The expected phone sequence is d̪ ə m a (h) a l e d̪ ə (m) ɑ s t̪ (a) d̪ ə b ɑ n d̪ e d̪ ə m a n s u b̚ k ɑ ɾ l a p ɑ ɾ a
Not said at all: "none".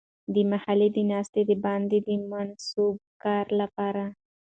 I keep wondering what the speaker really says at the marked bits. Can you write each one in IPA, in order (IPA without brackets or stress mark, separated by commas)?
h, n, e